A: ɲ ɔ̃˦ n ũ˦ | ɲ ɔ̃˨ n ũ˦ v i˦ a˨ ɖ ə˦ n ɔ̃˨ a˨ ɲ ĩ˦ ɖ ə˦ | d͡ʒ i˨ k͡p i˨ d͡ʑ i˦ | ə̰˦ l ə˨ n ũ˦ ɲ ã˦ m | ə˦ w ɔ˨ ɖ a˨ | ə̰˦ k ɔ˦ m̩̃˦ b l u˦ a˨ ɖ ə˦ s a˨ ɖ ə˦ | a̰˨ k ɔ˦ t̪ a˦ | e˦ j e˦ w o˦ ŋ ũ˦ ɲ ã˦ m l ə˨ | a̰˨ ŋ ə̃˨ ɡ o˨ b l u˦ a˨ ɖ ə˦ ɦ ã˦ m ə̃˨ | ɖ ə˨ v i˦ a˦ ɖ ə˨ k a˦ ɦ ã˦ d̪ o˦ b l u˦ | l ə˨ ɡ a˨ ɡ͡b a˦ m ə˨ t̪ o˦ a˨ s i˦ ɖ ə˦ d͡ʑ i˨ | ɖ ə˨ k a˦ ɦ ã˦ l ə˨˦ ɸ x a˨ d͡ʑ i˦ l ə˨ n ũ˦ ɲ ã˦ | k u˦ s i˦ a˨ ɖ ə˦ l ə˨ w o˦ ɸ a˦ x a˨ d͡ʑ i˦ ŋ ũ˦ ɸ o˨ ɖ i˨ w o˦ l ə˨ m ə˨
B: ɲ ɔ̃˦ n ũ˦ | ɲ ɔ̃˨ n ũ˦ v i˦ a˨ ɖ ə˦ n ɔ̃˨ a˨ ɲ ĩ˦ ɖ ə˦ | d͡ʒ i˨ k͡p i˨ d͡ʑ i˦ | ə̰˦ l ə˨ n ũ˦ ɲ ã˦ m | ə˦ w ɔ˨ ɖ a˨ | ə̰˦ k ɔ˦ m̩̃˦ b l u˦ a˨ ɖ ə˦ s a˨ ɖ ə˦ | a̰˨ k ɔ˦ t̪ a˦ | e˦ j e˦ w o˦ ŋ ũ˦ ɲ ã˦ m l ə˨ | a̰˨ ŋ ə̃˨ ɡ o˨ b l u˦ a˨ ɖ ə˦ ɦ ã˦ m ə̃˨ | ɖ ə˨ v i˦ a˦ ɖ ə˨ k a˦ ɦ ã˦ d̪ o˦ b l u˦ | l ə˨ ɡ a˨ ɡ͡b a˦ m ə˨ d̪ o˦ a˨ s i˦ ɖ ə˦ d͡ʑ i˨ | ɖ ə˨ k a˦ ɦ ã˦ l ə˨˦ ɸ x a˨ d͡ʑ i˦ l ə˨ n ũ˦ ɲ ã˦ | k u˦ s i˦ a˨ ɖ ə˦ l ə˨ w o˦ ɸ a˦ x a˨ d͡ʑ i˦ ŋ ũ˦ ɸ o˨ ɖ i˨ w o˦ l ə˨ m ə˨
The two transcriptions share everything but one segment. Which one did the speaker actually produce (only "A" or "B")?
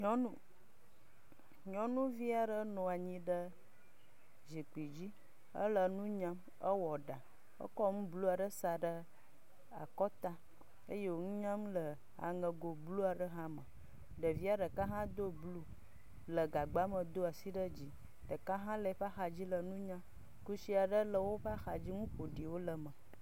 B